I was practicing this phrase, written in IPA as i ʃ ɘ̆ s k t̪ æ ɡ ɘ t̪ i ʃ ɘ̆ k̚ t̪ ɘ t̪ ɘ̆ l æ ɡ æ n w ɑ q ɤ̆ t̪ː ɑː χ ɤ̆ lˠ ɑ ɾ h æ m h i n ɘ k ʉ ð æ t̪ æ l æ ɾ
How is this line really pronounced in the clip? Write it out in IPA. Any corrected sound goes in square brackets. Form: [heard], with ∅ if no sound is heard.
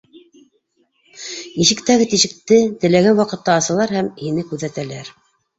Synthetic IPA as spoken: i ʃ ɘ̆ [∅] k t̪ æ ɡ ɘ t̪ i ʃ ɘ̆ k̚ t̪ ɘ t̪ ɘ̆ l æ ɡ æ n w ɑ q ɤ̆ t̪ː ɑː [s] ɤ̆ lˠ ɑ ɾ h æ m h i n ɘ k ʉ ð æ t̪ æ l æ ɾ